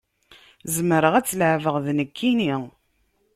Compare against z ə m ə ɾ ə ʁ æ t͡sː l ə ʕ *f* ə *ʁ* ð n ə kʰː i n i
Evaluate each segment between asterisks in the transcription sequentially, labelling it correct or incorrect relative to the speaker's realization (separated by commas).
incorrect, correct